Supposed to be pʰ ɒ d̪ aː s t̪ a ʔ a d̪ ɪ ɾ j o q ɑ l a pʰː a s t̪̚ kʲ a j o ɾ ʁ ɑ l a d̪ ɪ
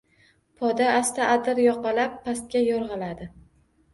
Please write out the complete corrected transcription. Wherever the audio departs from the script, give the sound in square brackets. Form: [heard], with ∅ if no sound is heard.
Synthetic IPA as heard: pʰ ɒ d̪ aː s t̪ a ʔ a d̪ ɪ ɾ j [ɒ] q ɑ l a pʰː a s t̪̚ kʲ a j [ɒ] ɾ ʁ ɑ l a d̪ ɪ